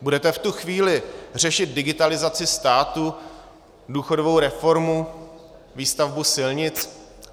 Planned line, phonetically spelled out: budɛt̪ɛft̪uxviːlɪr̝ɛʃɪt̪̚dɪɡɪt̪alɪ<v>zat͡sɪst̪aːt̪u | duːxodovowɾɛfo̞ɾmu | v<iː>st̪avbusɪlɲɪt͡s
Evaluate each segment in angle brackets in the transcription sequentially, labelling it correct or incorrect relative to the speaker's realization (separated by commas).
incorrect, correct